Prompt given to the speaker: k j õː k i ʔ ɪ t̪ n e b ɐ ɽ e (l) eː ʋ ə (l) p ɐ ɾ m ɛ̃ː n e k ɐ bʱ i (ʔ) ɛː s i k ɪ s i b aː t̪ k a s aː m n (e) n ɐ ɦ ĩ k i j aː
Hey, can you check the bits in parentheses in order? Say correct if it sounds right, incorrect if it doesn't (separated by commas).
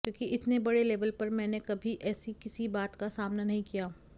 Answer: correct, correct, correct, incorrect